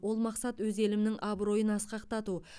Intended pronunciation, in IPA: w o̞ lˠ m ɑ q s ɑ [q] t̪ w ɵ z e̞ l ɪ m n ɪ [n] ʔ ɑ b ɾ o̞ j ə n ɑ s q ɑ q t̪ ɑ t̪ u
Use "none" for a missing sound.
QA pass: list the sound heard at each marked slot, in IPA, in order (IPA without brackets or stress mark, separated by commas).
none, ŋ